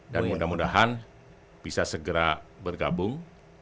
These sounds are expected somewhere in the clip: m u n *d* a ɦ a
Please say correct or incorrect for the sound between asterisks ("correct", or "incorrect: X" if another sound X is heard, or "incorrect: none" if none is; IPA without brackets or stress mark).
correct